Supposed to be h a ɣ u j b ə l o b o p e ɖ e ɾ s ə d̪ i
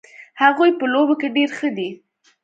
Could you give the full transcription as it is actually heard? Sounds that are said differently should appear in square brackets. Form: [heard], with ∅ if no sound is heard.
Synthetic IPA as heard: h a ɣ u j [p] ə l o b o [k] e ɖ e ɾ [x] ə d̪ i